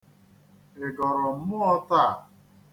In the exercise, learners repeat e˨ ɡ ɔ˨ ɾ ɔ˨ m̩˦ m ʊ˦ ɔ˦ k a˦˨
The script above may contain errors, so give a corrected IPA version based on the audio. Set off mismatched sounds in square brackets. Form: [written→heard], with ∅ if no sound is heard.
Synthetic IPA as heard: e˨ ɡ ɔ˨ ɾ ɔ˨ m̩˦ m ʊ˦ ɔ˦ [k→t] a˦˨